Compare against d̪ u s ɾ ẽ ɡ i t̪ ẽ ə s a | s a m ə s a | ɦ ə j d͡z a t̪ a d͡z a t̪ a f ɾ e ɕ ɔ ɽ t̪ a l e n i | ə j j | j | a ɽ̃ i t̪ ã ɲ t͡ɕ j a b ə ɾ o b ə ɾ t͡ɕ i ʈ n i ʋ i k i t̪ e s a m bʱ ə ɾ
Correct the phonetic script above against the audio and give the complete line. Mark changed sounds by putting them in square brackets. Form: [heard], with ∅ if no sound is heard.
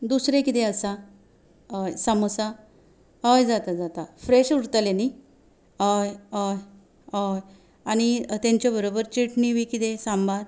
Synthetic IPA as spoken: d̪ u s ɾ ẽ [k] i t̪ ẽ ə s a | s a m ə s a | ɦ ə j d͡z a t̪ a d͡z a t̪ a f ɾ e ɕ [u] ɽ t̪ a l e n i | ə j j | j | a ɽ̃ i t̪ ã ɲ t͡ɕ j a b ə ɾ o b ə ɾ t͡ɕ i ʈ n i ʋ i k i t̪ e s a m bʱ [a] ɾ